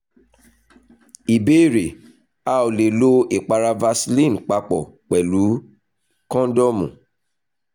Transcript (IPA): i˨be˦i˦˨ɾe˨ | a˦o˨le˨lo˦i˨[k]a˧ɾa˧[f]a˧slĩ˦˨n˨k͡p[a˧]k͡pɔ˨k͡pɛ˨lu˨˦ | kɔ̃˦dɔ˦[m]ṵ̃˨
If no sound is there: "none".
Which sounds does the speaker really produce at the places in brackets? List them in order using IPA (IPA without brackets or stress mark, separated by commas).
k͡p, v, a˧, m